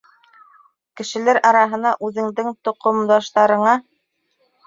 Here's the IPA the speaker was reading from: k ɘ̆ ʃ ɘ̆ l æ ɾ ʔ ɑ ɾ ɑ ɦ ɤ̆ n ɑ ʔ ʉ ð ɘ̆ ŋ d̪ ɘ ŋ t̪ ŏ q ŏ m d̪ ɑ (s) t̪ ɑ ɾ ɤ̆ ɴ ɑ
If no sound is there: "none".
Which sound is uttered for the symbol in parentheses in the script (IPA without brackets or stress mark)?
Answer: ʃ